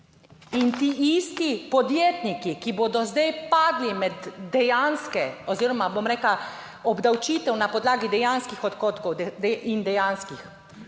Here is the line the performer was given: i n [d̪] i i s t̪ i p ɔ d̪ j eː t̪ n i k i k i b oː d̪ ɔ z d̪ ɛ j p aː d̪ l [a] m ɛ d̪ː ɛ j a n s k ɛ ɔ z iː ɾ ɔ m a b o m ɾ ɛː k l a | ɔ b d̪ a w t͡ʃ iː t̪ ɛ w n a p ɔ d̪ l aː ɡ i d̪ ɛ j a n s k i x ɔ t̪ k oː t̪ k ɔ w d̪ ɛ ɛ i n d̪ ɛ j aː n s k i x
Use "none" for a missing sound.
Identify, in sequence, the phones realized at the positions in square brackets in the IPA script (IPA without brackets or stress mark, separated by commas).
t̪, i